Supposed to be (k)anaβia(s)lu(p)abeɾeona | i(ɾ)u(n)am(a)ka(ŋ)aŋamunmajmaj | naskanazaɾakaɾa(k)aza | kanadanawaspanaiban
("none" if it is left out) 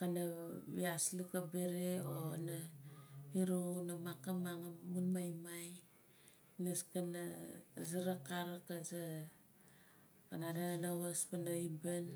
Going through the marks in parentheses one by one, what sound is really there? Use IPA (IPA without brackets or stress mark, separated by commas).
k, s, k, ɾ, n, a, m, k